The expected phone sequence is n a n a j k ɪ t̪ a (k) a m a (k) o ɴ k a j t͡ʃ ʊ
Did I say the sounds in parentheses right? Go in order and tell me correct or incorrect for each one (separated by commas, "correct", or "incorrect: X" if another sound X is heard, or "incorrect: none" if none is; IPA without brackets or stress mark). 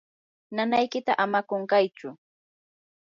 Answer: incorrect: ʔ, correct